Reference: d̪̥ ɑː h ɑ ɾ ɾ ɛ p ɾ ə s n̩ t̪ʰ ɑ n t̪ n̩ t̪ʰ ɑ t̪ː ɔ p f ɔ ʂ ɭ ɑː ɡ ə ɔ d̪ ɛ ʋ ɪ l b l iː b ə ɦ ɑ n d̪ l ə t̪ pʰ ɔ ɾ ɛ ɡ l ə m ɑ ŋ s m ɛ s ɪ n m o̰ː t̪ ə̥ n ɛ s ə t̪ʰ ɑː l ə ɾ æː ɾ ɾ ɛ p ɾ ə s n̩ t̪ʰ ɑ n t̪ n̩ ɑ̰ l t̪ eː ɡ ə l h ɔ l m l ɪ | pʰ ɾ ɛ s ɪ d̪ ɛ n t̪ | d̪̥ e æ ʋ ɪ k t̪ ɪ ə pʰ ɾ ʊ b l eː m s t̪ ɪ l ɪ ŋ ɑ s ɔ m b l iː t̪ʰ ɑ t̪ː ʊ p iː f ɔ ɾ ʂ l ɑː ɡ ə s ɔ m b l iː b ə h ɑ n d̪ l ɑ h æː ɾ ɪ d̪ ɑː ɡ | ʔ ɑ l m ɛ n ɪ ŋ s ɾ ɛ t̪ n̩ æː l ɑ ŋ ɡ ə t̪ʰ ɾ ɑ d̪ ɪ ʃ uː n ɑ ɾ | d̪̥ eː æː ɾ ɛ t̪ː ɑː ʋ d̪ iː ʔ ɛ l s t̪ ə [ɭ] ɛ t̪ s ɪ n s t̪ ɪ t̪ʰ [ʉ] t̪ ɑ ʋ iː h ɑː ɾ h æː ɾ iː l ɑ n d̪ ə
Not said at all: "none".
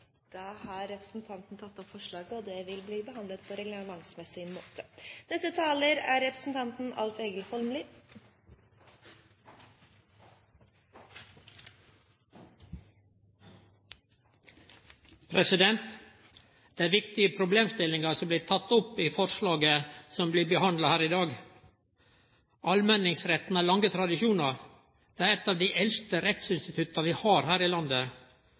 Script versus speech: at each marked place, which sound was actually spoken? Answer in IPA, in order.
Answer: ɾ, ʉ

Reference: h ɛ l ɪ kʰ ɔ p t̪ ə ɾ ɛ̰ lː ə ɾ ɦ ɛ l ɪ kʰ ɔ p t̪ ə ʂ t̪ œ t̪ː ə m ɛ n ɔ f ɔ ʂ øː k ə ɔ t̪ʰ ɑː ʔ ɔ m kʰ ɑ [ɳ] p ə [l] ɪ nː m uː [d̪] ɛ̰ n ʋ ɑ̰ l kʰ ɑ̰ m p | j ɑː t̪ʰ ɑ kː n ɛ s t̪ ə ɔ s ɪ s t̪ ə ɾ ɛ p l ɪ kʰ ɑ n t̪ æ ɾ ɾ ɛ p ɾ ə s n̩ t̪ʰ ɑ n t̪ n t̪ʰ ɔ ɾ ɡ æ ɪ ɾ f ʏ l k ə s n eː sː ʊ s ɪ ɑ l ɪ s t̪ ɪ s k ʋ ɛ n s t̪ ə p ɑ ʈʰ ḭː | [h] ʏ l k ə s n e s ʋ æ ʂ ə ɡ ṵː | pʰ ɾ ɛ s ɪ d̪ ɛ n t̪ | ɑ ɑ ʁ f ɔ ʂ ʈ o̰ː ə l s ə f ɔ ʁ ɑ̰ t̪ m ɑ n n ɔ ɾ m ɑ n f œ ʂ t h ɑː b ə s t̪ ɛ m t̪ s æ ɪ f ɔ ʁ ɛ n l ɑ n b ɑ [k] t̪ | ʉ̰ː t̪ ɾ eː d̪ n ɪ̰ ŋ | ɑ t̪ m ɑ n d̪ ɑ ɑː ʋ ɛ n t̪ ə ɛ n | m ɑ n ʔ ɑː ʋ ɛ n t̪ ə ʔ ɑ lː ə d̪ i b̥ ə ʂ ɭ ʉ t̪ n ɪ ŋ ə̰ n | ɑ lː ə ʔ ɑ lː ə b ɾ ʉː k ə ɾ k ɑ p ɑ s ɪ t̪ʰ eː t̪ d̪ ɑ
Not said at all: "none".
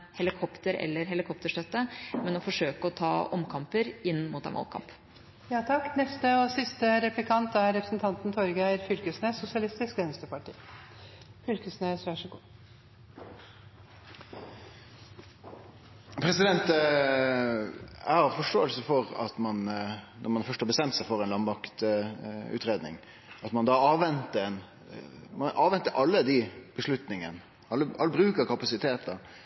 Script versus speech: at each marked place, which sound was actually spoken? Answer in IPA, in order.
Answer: m, ɾ, t̪, f, k

